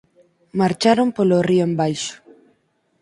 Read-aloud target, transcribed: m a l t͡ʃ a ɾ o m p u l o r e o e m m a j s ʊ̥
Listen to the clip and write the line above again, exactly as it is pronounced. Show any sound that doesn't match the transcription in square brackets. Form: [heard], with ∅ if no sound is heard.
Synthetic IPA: m a [ɾ] t͡ʃ a ɾ o m p [o] l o r [i] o e m [b] a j [ʃ] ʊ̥